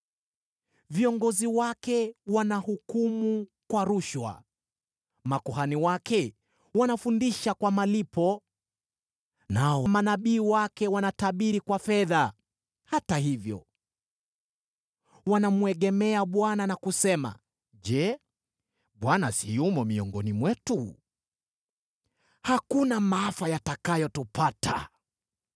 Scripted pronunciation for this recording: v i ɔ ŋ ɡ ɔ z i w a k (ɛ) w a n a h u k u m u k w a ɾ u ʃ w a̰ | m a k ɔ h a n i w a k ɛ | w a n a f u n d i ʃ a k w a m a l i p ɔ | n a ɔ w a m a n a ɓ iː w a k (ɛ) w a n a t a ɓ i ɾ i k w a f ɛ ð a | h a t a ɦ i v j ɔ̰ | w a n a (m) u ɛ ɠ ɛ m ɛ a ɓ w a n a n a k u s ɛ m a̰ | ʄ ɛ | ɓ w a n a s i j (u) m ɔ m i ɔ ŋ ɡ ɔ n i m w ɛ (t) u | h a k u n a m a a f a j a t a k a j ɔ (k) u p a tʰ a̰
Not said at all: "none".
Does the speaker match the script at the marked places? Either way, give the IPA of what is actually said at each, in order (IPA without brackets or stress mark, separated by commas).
ɛ, ɛ, m, u, t, t